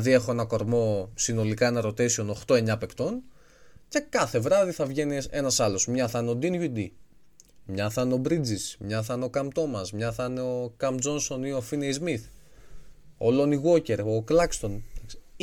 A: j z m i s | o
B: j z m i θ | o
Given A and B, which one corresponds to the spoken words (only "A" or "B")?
B